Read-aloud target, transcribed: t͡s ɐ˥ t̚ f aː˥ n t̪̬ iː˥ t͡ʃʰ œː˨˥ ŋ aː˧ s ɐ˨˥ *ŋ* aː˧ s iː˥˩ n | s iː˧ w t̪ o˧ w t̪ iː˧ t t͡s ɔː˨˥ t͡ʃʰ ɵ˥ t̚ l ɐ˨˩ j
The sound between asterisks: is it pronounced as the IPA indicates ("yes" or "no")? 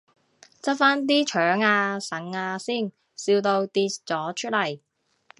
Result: yes